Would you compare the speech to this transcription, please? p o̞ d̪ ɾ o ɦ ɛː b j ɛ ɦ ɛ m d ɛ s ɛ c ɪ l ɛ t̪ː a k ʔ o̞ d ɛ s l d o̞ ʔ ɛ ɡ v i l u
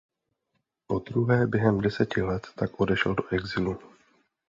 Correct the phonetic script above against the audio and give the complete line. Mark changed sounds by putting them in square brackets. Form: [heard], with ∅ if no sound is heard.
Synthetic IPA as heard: p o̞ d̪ ɾ [u] ɦ ɛː b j ɛ ɦ ɛ m d ɛ s ɛ c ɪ l ɛ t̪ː a k ʔ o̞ d ɛ [ʃ] l d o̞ ʔ ɛ ɡ [z] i l u

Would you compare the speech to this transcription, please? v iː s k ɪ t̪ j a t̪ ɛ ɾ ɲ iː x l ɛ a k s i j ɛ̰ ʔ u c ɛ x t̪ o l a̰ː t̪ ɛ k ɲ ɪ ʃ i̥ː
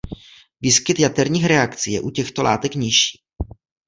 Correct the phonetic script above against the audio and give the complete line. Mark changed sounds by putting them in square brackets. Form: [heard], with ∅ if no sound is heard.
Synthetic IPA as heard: v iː s k ɪ t̪ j a t̪ ɛ ɾ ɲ iː x [ɾ] ɛ a k [t͡s] i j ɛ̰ ʔ u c ɛ x t̪ o l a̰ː t̪ ɛ k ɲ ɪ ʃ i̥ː

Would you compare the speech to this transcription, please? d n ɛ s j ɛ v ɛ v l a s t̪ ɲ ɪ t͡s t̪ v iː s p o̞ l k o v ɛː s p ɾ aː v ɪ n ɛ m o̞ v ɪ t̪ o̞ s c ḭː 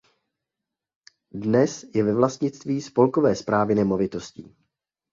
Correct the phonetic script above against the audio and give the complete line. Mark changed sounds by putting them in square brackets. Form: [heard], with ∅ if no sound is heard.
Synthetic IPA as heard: d n ɛ s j ɛ v ɛ v l a s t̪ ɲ ɪ t͡s t̪ v iː s p o̞ l k o v ɛː s p ɾ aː v ɪ n ɛ m o̞ v ɪ t̪ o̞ s c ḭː

